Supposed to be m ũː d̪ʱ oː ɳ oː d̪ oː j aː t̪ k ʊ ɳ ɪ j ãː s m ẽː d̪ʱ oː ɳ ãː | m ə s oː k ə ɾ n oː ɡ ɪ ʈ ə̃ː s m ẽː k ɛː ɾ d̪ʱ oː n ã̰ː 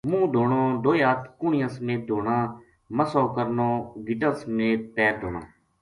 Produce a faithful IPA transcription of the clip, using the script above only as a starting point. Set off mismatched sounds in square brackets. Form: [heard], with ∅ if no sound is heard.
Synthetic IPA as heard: m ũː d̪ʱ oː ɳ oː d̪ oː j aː t̪ k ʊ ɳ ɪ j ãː s m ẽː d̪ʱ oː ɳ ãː | m ə s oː k ə ɾ n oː ɡ ɪ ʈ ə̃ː s m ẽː [p] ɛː ɾ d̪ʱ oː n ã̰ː

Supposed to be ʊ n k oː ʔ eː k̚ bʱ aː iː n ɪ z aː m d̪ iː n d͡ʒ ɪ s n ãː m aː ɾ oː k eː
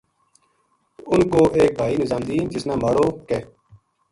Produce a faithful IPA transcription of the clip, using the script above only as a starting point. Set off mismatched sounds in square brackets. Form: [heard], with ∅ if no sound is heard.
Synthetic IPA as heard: ʊ n k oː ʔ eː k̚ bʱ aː iː n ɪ z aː m d̪ iː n d͡ʒ ɪ s n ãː m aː [ɽ] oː k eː

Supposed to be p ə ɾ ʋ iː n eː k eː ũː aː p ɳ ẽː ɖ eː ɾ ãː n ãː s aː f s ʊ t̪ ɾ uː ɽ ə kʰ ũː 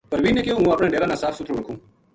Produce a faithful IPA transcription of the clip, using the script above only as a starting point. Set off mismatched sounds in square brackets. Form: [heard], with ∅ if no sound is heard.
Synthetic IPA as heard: p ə ɾ ʋ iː n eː k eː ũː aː p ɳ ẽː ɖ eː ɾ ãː n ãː s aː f s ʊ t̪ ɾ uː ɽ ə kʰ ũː

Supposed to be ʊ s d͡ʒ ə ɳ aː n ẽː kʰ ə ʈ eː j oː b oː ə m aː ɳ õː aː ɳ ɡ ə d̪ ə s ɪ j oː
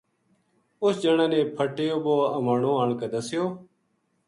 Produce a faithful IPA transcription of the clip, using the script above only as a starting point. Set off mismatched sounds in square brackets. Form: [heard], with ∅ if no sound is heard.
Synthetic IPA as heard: ʊ s d͡ʒ ə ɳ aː n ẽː [pʰ] ə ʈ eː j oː b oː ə m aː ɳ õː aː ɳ [k] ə d̪ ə s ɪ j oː

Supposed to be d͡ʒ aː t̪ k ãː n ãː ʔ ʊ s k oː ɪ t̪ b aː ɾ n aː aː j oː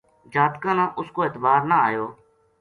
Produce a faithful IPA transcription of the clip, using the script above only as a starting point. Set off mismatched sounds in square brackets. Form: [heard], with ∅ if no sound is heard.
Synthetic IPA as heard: d͡ʒ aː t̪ k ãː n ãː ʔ ʊ s k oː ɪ t̪ b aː ɾ n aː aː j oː

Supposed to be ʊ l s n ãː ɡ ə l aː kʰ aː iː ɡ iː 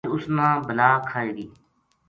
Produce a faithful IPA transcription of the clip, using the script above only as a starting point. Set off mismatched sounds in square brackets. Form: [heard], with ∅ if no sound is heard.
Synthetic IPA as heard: ʊ [∅] s n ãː [b] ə l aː kʰ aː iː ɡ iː

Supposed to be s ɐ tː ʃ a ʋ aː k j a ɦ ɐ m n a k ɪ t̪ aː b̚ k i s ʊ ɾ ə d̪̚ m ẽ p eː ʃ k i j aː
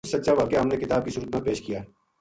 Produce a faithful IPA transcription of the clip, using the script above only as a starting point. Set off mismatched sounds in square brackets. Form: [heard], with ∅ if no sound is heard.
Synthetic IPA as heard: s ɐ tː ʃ a ʋ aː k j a ɦ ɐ m n [e] k ɪ t̪ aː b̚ k i s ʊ ɾ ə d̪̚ m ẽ p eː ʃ k i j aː

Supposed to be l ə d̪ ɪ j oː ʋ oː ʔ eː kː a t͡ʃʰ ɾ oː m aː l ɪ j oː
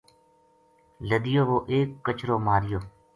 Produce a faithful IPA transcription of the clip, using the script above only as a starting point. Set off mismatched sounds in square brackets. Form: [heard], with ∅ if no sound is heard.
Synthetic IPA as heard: l ə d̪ ɪ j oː ʋ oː ʔ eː kː [ə] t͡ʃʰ ɾ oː m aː [ɾ] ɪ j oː

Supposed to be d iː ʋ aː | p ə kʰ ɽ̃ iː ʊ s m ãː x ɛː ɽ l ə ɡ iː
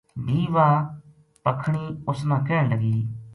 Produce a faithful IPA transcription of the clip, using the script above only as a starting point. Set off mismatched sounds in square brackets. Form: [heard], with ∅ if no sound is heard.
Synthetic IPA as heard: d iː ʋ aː | p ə kʰ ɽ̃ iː ʊ s m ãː [k] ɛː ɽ l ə ɡ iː

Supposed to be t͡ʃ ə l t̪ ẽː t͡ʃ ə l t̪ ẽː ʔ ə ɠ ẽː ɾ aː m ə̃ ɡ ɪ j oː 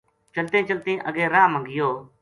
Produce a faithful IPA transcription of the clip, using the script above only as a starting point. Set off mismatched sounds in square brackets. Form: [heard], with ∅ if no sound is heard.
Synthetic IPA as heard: t͡ʃ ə l t̪ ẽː t͡ʃ ə l t̪ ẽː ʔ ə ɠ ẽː ɾ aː m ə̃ ɡ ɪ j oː

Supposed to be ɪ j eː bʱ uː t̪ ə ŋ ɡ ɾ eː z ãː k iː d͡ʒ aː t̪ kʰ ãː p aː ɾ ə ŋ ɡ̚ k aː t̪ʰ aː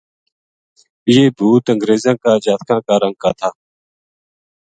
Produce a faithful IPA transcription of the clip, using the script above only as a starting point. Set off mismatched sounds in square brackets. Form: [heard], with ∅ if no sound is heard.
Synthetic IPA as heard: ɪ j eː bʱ uː t̪ ə ŋ ɡ ɾ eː z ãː k [aː] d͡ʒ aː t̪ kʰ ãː [k] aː ɾ ə ŋ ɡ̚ k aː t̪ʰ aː

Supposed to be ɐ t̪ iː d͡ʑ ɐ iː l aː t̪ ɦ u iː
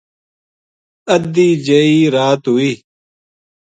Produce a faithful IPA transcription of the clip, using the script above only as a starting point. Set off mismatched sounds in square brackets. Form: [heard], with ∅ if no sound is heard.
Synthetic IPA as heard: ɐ [d̪] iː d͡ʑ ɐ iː [ɾ] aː t̪ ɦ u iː

